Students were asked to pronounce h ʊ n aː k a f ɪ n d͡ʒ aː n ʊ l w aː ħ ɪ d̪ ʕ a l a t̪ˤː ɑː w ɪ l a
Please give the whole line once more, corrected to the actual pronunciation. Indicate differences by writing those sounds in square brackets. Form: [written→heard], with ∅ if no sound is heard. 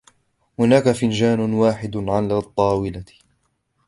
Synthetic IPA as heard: h ʊ n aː k a f ɪ n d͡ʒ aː n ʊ [l→∅] w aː ħ ɪ d̪ ʕ a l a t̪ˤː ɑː w ɪ l a